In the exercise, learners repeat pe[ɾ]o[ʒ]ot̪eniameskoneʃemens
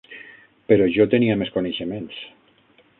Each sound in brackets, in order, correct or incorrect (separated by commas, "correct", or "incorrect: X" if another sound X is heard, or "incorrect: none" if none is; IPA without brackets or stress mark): correct, correct